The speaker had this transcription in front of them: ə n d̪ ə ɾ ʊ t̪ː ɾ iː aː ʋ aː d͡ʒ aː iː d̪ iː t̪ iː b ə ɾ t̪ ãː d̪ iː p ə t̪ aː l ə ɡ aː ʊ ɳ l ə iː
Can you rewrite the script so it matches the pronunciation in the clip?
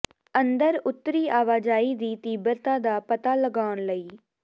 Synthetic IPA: ə n d̪ ə ɾ ʊ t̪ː ɾ iː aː ʋ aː d͡ʒ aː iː d̪ iː t̪ iː b ə ɾ t̪ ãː d̪ aː p ə t̪ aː l ə ɡ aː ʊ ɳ l ə iː